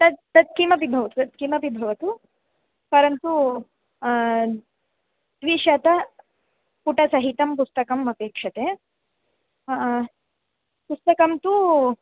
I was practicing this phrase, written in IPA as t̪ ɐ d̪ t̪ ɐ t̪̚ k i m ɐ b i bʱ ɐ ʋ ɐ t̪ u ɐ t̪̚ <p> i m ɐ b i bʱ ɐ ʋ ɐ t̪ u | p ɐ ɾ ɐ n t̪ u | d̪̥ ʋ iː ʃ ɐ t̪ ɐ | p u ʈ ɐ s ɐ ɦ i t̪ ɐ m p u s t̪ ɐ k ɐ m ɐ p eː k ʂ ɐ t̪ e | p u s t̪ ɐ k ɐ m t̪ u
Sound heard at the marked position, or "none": k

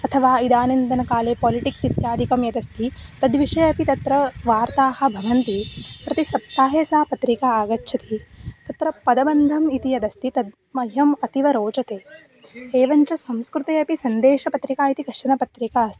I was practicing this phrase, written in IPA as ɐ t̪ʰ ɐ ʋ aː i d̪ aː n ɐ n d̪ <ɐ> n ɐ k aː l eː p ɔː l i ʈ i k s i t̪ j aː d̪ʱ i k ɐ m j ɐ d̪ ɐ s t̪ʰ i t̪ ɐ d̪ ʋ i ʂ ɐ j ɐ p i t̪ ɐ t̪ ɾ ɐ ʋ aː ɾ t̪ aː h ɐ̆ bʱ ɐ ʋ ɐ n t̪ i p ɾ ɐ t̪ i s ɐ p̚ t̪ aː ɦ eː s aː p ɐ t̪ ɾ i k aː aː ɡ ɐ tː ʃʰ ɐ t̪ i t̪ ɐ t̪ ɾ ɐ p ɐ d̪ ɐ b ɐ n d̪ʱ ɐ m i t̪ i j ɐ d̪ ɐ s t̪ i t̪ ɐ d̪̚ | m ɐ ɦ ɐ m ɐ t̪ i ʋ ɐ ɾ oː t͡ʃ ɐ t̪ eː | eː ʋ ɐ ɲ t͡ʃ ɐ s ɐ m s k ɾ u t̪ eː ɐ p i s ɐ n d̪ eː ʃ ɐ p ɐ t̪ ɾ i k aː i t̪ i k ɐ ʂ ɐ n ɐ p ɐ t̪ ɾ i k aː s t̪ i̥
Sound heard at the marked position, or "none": ɐ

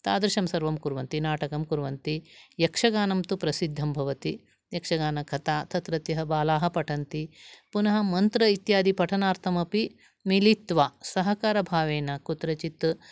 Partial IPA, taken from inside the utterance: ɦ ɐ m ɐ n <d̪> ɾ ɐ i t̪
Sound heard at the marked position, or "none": t̪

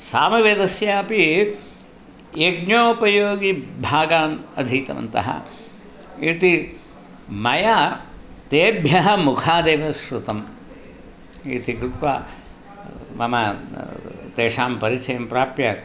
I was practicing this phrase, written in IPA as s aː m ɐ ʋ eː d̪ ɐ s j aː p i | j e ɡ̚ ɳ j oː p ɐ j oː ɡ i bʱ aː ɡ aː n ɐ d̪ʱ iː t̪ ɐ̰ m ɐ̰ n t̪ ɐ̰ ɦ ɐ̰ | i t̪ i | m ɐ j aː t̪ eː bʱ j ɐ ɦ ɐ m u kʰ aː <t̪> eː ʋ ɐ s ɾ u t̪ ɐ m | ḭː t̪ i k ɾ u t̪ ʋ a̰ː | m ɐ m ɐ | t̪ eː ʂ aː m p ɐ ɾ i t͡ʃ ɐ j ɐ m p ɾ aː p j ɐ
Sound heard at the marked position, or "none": d̪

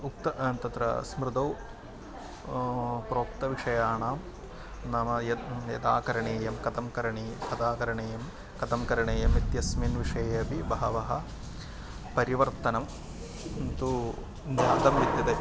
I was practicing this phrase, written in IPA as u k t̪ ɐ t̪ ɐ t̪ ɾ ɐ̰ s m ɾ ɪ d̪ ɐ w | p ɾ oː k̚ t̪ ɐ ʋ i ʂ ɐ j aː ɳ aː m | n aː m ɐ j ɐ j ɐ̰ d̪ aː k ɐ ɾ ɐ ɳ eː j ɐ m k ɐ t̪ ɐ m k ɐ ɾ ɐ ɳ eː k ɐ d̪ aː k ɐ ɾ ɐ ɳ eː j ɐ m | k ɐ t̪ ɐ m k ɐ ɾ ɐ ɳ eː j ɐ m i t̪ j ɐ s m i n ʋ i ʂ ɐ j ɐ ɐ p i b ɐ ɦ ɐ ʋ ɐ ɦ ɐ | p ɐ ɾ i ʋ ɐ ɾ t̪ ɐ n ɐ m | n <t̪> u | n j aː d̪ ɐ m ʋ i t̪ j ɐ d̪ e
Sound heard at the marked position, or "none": t̪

